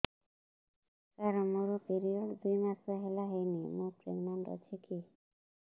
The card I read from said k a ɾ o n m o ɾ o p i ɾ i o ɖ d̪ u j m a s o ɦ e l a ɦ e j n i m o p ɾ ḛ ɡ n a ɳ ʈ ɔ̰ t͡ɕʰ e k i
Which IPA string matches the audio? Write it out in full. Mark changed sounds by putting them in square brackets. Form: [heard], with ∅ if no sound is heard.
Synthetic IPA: k a ɾ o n m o ɾ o p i ɾ i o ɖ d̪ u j m a s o ɦ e l a ɦ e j n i m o p ɾ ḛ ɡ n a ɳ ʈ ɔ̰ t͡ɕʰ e k i